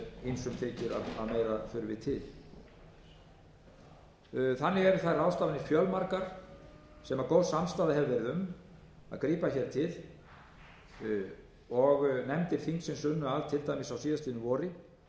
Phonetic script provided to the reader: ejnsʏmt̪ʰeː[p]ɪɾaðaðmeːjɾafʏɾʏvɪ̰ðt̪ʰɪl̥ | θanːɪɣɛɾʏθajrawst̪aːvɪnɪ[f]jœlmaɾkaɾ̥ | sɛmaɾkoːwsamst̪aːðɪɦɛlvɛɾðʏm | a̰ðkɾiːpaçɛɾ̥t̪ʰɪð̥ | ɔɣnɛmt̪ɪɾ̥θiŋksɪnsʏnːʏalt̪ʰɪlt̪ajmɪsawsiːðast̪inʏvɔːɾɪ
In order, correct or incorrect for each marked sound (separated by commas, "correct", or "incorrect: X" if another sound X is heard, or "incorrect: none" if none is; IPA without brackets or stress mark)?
incorrect: c, correct